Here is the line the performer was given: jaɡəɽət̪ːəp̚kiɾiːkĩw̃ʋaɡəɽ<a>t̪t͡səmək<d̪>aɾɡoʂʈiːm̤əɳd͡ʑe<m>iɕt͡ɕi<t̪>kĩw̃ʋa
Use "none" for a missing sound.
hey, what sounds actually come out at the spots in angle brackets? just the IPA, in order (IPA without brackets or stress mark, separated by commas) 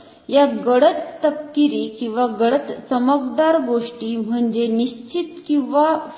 ə, d̪, n, t̪